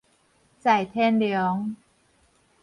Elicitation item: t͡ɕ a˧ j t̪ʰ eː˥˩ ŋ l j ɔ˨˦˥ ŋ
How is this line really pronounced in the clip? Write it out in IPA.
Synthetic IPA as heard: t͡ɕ a˨˩ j t̪ʰ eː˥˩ n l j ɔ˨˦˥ ŋ